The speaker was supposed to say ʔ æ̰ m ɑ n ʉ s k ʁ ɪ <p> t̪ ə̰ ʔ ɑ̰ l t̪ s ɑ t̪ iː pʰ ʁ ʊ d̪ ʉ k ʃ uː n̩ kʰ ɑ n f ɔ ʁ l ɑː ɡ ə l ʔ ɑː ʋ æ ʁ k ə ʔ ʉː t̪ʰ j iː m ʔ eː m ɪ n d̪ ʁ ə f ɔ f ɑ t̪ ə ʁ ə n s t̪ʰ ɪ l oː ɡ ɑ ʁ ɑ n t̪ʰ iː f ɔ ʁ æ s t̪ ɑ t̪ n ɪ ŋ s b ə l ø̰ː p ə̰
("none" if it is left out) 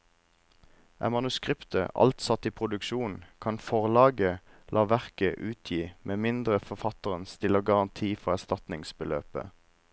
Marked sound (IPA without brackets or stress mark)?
p